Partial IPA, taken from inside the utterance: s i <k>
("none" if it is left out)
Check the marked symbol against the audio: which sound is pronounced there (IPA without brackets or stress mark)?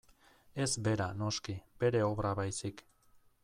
k